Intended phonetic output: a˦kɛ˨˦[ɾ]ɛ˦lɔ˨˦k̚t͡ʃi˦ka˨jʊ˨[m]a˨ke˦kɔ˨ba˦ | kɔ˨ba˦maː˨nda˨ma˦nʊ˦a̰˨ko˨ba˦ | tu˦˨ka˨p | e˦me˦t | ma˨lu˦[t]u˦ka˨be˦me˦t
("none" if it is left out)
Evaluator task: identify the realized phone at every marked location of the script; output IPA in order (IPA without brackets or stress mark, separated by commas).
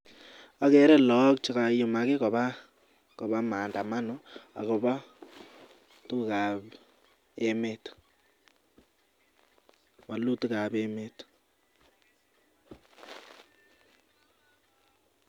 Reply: ɾ, m, t